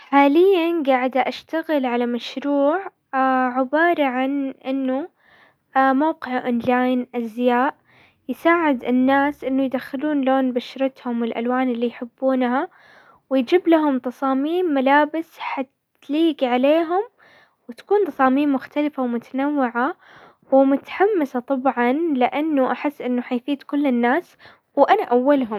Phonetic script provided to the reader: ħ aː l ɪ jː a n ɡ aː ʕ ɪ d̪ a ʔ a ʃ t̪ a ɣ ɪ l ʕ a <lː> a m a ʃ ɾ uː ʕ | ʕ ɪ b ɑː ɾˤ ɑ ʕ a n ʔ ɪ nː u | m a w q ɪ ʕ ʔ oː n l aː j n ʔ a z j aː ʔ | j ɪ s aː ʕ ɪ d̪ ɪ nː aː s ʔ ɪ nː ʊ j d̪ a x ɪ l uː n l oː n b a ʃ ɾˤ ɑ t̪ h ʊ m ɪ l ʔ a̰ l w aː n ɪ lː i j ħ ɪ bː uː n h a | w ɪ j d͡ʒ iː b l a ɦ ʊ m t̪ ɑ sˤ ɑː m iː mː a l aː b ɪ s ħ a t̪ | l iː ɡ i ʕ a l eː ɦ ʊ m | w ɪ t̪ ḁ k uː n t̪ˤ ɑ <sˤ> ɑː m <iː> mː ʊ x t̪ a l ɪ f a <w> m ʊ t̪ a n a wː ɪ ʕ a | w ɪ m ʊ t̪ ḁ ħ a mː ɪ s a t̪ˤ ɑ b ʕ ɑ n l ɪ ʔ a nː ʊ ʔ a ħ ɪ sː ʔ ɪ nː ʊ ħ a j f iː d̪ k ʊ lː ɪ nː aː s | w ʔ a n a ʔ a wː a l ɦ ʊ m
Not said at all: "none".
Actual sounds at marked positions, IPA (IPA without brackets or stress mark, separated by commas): l, sˤ, iː, w